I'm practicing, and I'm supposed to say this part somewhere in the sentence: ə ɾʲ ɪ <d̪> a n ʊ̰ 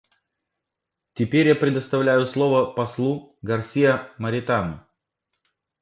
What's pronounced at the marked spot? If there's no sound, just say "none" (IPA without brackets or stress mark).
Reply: t̪